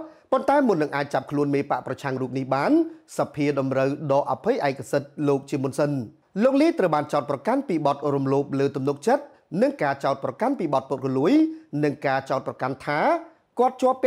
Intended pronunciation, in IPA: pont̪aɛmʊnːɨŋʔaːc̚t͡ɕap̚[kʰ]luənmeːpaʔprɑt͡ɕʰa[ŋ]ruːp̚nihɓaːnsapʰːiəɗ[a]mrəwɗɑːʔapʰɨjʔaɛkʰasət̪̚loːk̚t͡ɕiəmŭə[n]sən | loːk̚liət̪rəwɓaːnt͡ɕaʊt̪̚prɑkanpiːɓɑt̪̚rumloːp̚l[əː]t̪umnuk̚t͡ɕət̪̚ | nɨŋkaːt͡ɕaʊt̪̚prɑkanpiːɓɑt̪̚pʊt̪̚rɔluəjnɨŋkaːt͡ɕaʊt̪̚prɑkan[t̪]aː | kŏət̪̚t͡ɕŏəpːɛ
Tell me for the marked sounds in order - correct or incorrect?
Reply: correct, correct, incorrect, correct, correct, incorrect

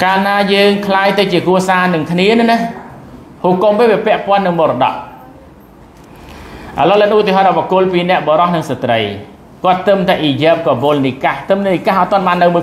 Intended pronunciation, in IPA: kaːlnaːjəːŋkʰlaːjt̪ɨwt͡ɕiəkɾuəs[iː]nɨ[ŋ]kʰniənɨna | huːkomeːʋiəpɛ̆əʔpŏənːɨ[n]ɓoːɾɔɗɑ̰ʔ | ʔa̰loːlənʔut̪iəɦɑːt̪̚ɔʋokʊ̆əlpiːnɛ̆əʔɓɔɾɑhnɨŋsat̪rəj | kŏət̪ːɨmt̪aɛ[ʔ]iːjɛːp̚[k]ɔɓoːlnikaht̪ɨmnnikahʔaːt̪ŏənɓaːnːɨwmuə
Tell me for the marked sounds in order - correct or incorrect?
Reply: incorrect, correct, incorrect, correct, correct

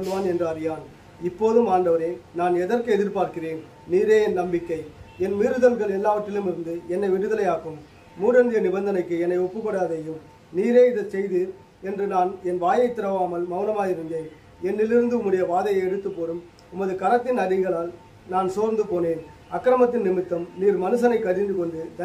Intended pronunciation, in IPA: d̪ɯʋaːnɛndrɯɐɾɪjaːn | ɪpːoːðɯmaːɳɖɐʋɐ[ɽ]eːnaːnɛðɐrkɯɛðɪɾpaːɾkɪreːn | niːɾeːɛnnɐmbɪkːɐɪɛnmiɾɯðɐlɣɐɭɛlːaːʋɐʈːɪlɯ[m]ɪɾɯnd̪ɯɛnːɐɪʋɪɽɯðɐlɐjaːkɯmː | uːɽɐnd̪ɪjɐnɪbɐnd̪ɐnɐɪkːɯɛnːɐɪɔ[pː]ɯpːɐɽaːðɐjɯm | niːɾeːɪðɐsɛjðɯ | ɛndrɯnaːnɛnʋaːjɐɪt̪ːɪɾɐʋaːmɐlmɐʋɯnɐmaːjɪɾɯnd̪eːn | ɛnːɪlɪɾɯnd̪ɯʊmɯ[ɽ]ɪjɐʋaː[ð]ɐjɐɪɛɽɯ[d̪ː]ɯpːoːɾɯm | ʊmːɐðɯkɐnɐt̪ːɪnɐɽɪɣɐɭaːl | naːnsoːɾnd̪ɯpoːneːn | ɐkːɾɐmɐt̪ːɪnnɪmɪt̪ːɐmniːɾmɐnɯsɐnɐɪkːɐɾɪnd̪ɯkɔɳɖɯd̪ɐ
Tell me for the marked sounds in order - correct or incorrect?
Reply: incorrect, correct, correct, correct, correct, incorrect

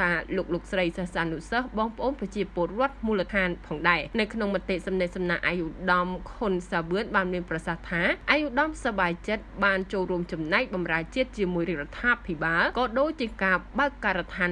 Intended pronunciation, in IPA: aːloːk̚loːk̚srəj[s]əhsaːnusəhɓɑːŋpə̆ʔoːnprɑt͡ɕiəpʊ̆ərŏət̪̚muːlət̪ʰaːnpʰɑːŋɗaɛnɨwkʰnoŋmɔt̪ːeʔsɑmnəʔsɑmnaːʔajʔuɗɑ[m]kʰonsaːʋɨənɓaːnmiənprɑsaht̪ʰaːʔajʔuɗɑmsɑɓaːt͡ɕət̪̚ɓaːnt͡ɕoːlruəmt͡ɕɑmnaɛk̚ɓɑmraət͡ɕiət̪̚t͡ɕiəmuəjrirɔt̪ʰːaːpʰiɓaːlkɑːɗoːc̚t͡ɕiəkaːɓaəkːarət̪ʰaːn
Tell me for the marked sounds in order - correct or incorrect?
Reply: correct, correct

